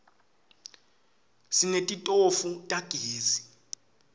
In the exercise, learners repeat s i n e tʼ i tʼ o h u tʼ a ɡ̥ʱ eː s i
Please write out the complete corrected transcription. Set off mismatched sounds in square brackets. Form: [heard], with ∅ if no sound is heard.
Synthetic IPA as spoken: s i n e tʼ i tʼ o [f] u tʼ a ɡ̥ʱ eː [z] i